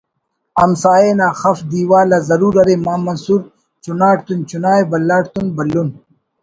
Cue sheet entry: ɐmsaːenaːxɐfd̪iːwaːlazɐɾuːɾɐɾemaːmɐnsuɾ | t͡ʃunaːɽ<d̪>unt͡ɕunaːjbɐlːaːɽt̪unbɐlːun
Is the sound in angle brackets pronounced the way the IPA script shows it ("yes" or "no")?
no